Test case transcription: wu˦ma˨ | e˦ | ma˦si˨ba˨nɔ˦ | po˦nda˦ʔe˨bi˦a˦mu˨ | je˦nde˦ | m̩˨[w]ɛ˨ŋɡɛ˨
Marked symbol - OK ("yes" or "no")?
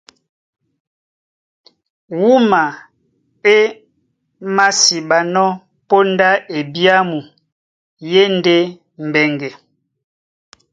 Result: no